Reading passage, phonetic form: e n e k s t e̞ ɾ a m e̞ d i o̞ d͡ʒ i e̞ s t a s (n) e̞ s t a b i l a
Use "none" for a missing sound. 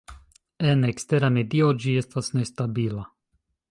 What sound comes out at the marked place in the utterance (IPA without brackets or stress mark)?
n